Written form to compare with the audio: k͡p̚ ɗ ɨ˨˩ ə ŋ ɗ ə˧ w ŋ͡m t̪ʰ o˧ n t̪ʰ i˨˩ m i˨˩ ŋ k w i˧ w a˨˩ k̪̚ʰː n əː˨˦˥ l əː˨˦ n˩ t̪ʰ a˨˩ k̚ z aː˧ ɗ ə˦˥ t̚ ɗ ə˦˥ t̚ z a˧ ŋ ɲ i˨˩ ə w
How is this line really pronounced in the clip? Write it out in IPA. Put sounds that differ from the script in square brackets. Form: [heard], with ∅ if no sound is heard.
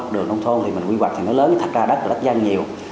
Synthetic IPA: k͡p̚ ɗ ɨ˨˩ ə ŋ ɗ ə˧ w ŋ͡m t̪ʰ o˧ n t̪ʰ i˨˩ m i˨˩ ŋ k w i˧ w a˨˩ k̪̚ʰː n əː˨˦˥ l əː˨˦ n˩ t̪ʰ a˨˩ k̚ z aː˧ ɗ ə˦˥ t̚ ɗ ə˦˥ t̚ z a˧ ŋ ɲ i˨˩ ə w